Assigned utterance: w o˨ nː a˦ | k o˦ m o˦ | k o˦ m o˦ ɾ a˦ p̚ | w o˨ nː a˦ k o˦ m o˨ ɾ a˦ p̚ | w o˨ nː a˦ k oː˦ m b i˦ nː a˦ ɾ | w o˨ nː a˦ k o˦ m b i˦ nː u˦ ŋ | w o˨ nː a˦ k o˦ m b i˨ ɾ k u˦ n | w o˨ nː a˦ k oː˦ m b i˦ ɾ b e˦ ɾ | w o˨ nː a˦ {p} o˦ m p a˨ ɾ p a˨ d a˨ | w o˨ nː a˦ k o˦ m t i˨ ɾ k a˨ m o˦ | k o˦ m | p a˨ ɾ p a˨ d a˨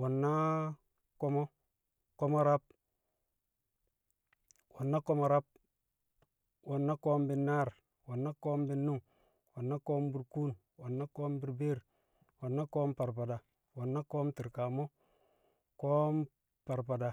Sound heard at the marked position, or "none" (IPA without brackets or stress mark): k